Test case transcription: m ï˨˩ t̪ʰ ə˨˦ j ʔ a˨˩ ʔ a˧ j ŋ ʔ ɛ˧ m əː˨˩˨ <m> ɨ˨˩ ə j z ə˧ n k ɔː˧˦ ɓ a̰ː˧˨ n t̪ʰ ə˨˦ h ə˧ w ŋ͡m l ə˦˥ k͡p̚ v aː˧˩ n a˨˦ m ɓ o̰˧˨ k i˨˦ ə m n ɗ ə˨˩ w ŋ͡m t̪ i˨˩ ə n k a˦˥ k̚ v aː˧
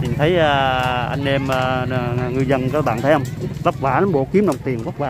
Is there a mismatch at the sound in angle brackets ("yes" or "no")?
yes